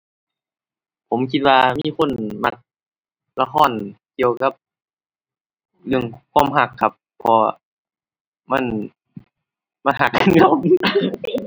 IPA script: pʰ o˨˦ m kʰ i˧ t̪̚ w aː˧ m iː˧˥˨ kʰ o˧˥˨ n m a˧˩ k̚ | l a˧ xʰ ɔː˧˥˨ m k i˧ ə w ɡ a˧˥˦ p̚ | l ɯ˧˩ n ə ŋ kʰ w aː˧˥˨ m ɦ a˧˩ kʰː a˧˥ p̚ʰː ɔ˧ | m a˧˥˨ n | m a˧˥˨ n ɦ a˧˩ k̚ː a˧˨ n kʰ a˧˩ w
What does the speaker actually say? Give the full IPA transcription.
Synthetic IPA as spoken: pʰ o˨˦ m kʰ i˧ t̪̚ w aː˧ m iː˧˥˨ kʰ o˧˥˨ n m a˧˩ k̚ | l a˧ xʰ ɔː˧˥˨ n k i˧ ə w k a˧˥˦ p̚ | l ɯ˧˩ ə ŋ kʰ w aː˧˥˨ m ɦ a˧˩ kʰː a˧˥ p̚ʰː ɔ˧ | m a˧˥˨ n | m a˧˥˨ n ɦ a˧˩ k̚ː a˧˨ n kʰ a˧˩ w